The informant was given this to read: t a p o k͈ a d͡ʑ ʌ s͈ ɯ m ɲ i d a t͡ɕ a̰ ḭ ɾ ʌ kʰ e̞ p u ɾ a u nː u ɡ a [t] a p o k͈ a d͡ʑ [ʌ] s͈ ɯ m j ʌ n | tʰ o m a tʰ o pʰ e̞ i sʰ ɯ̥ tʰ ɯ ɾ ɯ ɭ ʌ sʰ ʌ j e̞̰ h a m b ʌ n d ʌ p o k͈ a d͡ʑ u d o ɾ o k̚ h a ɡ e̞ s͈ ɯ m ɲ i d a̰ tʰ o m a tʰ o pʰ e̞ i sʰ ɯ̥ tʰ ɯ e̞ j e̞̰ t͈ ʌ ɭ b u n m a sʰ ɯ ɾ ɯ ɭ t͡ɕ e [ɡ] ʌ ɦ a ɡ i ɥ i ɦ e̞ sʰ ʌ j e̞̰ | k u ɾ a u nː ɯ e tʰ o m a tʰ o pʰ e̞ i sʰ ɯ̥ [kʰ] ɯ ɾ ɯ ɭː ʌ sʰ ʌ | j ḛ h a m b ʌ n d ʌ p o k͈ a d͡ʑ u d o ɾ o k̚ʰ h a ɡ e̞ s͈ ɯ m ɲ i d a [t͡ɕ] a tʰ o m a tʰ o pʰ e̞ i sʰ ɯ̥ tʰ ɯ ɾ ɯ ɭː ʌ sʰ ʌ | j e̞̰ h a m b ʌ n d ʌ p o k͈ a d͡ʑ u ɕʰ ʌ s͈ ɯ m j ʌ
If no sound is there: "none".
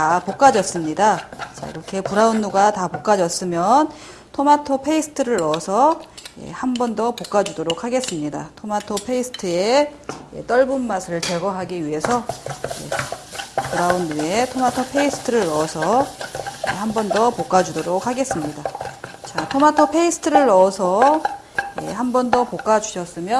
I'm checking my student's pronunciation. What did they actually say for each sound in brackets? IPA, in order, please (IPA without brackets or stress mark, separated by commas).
t, ʌ, ɡ, tʰ, t͡ɕ